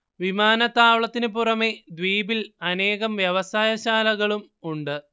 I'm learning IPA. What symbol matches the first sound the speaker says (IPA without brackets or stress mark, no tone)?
ʋ